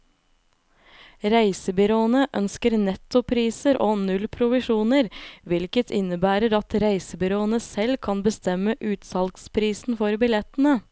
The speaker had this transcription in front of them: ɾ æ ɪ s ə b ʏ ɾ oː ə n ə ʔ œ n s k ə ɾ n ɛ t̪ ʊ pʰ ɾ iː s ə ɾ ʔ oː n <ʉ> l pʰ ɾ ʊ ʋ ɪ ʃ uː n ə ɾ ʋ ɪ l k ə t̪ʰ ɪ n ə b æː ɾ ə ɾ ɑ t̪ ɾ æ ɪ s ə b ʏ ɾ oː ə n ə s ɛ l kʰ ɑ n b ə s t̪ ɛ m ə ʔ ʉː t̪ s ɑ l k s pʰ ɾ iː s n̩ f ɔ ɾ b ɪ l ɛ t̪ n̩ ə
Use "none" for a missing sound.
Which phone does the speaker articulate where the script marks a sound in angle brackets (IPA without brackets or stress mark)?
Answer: ʉ